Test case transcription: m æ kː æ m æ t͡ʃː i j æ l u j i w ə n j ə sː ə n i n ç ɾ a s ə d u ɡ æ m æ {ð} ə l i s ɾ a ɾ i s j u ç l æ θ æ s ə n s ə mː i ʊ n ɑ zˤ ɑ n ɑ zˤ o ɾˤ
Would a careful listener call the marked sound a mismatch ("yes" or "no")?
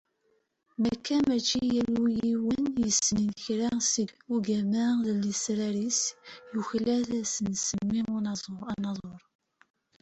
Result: no